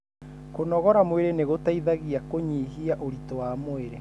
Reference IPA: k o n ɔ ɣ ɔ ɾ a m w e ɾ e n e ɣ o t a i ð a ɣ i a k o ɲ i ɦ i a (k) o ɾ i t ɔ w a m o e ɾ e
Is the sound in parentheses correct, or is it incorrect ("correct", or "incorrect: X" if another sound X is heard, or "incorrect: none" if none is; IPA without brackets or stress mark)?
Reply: incorrect: ʔ